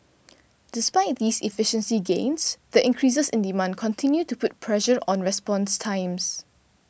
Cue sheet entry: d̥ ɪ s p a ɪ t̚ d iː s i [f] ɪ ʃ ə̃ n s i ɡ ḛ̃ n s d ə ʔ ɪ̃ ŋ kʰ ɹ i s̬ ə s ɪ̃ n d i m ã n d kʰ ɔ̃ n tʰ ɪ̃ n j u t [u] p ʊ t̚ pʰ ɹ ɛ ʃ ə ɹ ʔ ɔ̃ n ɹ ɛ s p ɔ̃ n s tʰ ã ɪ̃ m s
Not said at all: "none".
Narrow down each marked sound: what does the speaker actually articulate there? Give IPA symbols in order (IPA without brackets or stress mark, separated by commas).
f, u